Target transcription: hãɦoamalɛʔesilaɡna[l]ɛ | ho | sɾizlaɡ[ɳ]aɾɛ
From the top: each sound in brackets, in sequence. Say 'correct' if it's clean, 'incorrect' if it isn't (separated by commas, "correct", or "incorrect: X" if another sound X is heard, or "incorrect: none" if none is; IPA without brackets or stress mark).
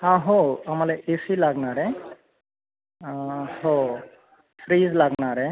incorrect: ɾ, incorrect: n